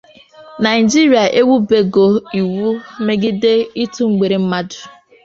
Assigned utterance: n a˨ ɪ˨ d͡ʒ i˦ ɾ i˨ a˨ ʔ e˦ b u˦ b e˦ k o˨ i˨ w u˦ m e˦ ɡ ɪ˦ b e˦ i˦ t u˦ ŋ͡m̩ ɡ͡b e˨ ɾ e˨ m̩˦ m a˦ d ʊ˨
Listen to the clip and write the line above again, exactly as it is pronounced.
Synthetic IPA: n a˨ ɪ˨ d͡ʒ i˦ ɾ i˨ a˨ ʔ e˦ w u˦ b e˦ ɡ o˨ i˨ w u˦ m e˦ ɡ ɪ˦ d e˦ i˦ t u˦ ŋ͡m̩ ɡ͡b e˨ ɾ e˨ m̩˦ m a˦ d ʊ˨